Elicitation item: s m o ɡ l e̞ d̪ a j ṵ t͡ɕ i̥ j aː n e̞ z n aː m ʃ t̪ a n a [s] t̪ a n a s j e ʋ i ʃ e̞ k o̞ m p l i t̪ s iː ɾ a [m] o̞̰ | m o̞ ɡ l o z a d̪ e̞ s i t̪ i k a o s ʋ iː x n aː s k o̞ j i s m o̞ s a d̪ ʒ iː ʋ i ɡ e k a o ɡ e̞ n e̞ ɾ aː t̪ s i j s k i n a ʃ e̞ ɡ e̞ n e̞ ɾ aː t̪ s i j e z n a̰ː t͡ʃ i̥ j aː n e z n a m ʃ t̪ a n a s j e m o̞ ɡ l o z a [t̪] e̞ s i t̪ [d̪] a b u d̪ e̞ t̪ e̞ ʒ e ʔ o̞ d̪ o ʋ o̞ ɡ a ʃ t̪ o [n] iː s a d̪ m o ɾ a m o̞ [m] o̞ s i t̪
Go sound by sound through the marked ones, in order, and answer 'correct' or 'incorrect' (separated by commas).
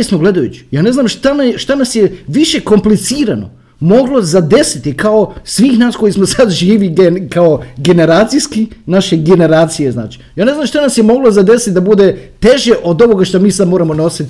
incorrect, incorrect, incorrect, correct, incorrect, incorrect